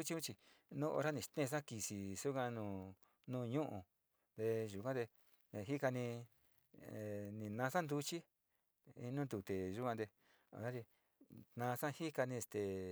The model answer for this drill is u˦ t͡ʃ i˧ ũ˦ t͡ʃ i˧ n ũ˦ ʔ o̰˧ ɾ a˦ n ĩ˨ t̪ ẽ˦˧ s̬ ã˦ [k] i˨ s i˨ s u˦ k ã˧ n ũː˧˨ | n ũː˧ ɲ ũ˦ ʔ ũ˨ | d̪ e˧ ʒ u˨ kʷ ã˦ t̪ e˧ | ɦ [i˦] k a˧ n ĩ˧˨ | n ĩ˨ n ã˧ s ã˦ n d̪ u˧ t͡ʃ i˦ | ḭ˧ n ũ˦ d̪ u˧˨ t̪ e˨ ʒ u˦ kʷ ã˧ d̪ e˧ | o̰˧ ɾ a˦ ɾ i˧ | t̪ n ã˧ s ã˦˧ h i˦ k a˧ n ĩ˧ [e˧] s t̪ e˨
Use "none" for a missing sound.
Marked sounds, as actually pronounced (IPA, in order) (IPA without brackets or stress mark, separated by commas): k, i˦, e˧